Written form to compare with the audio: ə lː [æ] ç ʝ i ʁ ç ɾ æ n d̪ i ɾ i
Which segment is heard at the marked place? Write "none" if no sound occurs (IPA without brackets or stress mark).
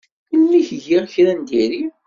i